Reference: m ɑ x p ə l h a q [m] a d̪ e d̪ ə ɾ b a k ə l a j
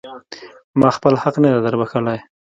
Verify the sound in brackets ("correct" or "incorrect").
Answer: incorrect